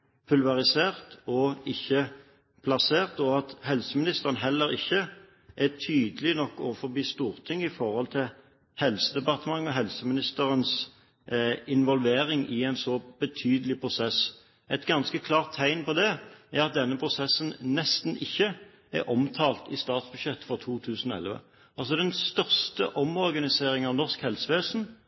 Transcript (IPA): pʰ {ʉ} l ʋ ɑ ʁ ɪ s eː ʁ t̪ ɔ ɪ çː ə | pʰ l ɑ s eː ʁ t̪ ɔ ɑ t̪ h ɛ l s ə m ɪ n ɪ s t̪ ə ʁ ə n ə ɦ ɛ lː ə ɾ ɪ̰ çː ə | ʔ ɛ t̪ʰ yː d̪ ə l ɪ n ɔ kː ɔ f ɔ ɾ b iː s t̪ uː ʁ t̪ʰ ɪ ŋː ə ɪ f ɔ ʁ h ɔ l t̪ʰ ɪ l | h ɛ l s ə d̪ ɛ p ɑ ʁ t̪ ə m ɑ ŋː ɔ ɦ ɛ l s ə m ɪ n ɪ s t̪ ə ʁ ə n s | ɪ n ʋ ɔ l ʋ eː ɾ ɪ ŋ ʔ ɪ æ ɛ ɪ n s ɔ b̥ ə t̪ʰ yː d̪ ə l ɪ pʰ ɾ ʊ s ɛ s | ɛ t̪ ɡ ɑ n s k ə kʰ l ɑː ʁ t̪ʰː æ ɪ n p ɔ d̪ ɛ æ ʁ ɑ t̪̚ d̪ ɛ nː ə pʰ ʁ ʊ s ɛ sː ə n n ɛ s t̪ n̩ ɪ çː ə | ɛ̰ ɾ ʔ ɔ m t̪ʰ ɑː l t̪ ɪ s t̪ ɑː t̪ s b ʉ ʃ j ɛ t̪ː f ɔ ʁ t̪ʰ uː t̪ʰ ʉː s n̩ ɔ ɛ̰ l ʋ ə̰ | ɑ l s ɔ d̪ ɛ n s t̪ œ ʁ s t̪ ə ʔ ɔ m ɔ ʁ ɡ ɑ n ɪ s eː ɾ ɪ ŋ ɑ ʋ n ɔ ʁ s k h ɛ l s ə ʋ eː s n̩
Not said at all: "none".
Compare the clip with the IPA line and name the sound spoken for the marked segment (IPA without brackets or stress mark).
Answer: ʉ